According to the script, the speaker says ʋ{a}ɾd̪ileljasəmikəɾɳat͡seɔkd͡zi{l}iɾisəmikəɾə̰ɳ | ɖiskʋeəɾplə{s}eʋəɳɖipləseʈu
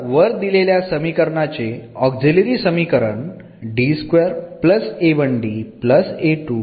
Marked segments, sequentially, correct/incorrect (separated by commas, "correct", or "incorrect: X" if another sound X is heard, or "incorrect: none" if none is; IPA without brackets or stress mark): incorrect: ə, correct, correct